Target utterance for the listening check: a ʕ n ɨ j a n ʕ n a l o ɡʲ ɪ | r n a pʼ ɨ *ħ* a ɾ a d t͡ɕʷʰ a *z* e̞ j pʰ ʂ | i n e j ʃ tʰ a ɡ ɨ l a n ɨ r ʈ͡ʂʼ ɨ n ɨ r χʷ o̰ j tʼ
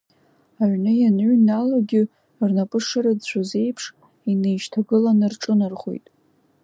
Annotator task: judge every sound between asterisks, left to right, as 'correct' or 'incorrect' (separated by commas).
incorrect, correct